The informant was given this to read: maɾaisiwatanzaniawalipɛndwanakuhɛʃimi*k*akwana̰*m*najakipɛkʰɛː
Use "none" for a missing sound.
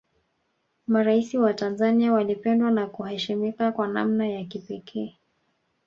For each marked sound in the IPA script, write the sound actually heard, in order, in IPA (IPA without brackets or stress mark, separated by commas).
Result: k, m